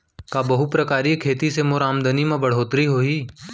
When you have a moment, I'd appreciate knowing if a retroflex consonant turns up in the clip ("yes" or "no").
yes